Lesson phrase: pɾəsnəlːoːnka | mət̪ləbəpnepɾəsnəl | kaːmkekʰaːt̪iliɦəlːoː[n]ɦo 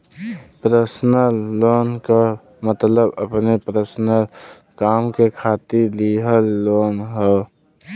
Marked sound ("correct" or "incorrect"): correct